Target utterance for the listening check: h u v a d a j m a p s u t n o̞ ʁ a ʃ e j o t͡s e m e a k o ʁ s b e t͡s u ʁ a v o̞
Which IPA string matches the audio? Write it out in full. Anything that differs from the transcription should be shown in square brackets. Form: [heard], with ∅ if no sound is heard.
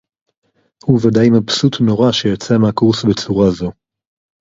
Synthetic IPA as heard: h u v a d a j m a p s u t n o̞ ʁ a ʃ e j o t͡s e m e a k [u] ʁ s b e t͡s u ʁ a [z] o̞